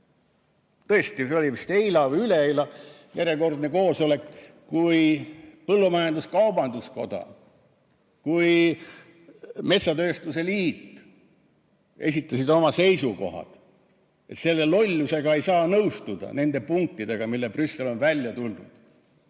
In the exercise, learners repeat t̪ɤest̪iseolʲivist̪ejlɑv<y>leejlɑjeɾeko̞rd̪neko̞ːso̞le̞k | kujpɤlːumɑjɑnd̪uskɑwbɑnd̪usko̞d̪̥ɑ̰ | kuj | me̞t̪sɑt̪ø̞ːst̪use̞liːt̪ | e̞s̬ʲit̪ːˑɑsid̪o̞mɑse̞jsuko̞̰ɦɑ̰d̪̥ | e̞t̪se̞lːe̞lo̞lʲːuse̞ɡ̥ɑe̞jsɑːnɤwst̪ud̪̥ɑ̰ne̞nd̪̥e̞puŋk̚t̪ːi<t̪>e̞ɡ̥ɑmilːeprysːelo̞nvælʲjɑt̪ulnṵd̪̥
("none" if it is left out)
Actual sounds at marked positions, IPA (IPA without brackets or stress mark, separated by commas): y, d̪